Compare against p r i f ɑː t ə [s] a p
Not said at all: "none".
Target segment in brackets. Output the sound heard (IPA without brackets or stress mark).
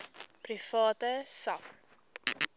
s